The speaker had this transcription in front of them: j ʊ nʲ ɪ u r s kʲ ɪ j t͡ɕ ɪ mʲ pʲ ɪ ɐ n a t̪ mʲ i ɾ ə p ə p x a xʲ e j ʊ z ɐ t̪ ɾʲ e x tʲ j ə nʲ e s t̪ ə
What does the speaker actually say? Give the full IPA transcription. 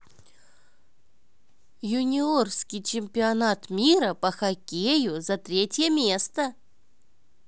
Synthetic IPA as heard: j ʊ nʲ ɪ o r s kʲ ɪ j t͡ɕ ɪ mʲ pʲ ɪ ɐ n a t̪ mʲ i ɾ ə p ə x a kʲ e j ʊ z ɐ t̪ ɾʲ e tʲ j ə mʲ e s t̪ ə